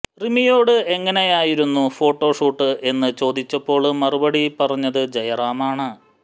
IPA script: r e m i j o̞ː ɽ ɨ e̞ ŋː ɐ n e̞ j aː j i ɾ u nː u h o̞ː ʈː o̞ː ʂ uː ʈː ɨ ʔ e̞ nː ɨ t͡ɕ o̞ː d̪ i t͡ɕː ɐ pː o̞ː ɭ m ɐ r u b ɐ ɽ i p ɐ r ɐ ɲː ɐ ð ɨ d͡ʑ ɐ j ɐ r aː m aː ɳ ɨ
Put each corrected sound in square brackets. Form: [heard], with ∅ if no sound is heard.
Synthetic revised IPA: r [i] m i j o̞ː ɽ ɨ e̞ ŋː ɐ n e̞ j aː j i ɾ u nː u [f] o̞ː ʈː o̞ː ʂ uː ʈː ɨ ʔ e̞ nː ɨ t͡ɕ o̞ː d̪ i t͡ɕː ɐ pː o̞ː ɭ m ɐ r u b ɐ ɽ i p ɐ r ɐ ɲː ɐ ð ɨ d͡ʑ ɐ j ɐ r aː m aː ɳ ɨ